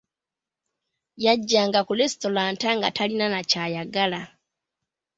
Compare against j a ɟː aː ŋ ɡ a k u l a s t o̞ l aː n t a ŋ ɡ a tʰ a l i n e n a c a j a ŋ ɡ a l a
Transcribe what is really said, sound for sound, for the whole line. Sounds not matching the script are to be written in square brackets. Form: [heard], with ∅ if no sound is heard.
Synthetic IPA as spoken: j a ɟː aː ŋ ɡ a k u l [e] s t o̞ l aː n t a ŋ ɡ a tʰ a l i n [a] n a c a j a [∅] ɡ a l a